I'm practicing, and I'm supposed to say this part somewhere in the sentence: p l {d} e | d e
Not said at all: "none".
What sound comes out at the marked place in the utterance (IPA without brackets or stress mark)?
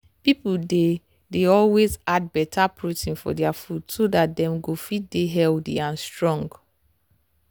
d